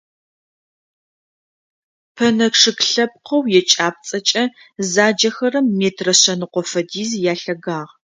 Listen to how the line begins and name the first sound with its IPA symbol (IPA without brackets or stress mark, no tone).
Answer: pʰ